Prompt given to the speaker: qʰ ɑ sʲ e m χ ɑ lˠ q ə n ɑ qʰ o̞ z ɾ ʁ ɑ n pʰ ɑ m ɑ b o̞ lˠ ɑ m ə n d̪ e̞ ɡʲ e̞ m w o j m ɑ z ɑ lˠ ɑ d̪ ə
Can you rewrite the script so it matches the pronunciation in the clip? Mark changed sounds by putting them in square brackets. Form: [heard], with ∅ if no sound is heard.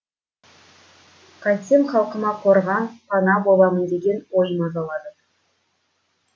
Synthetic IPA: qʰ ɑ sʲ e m χ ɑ lˠ q ə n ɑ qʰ o̞ [∅] ɾ ʁ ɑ n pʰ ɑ [n] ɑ b o̞ lˠ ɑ m ə n d̪ e̞ ɡʲ e̞ [n] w o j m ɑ z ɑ lˠ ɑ d̪ ə